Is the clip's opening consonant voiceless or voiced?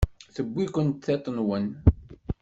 voiceless